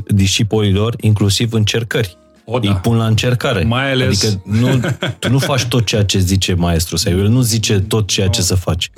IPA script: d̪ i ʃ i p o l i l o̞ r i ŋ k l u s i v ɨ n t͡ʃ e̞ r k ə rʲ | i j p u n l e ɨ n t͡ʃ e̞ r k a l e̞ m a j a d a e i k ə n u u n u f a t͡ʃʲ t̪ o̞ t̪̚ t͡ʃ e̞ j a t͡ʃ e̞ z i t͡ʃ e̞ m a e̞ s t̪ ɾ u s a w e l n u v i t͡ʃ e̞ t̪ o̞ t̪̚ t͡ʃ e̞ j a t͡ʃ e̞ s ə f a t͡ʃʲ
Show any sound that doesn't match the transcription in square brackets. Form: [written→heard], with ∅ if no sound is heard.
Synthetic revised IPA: d̪ i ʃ i p o l i l o̞ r i ŋ k l u s i v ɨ n t͡ʃ e̞ r k ə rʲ | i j p u n l [e→a] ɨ n t͡ʃ e̞ r k a [l→ɾ] e̞ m a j a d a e i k ə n u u n u f a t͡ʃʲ t̪ o̞ t̪̚ t͡ʃ e̞ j a t͡ʃ e̞ z i t͡ʃ e̞ m a e̞ s t̪ ɾ u s a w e l n u [v→z] i t͡ʃ e̞ t̪ o̞ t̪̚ t͡ʃ e̞ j a t͡ʃ e̞ s ə f a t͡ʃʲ